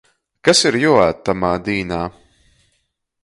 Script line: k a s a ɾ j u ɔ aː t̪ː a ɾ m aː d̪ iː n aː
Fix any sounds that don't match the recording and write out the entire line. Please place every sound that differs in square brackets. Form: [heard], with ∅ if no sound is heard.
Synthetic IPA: k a s [i] ɾ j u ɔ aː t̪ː a [∅] m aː d̪ iː n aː